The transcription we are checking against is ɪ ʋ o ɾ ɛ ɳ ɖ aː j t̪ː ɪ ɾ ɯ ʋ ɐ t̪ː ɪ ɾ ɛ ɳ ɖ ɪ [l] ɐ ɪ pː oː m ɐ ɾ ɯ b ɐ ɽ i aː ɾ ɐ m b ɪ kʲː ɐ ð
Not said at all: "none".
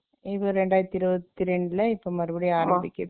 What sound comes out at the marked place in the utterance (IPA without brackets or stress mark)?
l